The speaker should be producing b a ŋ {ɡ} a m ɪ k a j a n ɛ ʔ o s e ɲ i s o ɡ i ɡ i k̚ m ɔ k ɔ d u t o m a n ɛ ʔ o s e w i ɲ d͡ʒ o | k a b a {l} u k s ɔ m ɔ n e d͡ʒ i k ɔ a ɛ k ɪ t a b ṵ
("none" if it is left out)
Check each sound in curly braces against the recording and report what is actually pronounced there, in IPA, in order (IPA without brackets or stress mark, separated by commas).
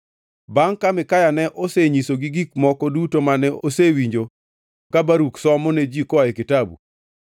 k, ɾ